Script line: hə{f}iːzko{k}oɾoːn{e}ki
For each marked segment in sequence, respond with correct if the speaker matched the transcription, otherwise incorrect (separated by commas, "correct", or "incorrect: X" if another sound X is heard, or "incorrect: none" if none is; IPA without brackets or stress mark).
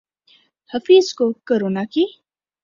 correct, correct, incorrect: a